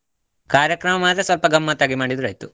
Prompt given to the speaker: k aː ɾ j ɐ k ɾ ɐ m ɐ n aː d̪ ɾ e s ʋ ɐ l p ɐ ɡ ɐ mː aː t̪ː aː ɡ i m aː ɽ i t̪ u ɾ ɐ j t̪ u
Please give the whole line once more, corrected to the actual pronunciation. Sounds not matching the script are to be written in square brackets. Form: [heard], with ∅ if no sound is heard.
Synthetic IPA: k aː ɾ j ɐ k ɾ ɐ m ɐ [m] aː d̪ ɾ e s ʋ ɐ l p ɐ ɡ ɐ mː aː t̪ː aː ɡ i m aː ɽ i [d̪] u ɾ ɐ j t̪ u